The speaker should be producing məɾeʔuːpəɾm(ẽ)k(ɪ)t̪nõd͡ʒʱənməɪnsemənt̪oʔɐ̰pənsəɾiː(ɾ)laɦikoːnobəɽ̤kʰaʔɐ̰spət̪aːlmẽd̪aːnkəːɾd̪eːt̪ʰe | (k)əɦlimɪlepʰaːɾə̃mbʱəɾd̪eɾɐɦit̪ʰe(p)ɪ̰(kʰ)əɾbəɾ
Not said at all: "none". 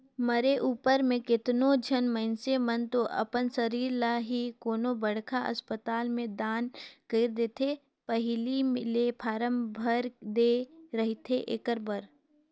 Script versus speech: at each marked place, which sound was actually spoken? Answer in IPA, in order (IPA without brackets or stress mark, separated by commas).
ẽ, ɪ, ɾ, p, ʔ, k